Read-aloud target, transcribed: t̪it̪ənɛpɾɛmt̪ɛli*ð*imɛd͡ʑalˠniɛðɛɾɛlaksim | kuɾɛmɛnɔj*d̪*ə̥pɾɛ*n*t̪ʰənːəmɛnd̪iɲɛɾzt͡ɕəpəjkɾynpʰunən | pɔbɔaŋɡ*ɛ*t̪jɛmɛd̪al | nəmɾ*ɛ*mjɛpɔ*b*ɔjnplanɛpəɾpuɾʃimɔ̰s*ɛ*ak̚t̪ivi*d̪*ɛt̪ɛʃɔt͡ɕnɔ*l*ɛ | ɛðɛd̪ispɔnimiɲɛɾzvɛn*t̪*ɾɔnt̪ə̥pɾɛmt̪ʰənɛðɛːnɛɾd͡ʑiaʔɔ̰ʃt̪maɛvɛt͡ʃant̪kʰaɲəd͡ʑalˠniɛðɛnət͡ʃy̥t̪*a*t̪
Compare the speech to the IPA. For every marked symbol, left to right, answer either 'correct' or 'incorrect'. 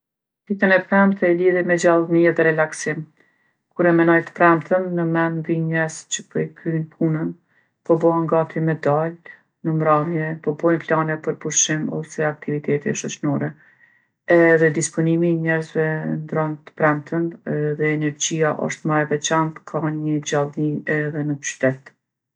correct, incorrect: t̪, incorrect: m, incorrect: a, incorrect: a, correct, correct, incorrect: t̪, incorrect: ɾ, incorrect: d̪, incorrect: ɛ

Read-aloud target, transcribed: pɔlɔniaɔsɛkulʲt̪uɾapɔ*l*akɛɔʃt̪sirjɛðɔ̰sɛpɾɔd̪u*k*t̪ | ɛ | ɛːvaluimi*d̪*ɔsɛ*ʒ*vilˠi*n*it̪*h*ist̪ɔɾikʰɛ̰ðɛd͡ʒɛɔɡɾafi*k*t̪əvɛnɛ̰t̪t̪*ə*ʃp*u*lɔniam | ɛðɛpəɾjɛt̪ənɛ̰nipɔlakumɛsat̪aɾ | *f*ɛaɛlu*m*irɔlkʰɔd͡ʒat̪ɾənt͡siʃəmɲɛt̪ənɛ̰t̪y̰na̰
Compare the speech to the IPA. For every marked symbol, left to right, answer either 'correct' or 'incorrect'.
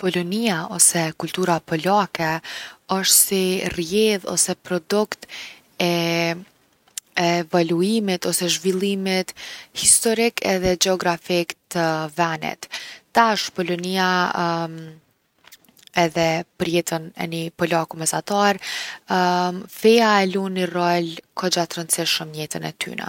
correct, correct, incorrect: t̪, correct, incorrect: m, correct, correct, incorrect: a, incorrect: ɔ, correct, incorrect: n

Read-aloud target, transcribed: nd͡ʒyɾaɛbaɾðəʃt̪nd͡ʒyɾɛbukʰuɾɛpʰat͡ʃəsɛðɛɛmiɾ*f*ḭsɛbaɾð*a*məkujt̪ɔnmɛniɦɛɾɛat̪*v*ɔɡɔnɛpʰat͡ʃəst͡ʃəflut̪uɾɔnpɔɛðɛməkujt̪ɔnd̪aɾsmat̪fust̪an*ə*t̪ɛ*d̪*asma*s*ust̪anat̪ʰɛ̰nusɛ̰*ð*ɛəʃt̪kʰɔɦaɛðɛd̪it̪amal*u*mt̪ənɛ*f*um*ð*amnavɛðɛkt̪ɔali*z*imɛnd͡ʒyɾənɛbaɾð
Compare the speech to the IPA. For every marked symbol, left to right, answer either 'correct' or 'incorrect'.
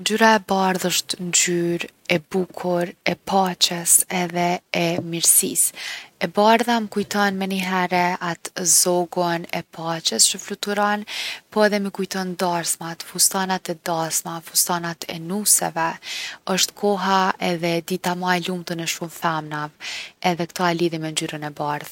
incorrect: s, correct, incorrect: z, incorrect: a, correct, incorrect: f, incorrect: v, correct, incorrect: ʃ, incorrect: θ, incorrect: ð

